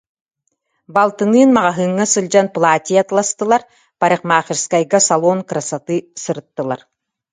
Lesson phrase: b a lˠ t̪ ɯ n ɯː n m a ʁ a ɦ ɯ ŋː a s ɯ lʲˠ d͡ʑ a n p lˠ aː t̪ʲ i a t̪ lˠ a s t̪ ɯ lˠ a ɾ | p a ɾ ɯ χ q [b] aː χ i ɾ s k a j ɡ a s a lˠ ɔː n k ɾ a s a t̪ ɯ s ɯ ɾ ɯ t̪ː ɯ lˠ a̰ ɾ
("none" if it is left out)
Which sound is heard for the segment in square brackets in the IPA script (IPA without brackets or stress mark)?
m